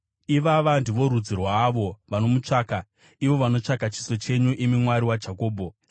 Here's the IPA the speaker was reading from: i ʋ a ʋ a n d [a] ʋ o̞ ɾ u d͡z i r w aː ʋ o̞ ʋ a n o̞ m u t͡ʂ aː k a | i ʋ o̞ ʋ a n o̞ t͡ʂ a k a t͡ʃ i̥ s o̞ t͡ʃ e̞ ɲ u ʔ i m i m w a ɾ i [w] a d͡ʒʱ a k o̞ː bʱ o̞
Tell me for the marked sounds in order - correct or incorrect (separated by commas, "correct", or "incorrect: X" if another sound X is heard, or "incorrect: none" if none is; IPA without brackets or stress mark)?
incorrect: i, correct